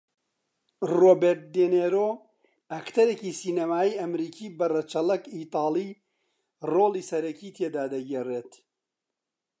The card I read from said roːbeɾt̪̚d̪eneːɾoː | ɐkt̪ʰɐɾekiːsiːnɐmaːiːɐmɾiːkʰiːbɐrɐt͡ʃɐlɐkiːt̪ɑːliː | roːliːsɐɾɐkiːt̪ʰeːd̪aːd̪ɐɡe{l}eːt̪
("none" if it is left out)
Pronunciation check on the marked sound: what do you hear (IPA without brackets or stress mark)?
r